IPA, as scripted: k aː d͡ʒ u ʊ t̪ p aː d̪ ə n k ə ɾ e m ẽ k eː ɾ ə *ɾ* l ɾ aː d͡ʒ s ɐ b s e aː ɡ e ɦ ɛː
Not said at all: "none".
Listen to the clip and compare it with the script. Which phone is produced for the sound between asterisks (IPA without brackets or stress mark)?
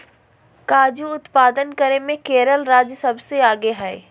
none